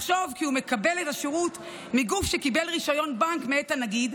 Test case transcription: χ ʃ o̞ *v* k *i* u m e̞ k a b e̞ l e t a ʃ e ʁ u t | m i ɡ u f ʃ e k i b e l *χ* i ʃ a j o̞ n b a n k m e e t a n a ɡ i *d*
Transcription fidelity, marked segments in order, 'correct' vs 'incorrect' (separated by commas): correct, correct, incorrect, correct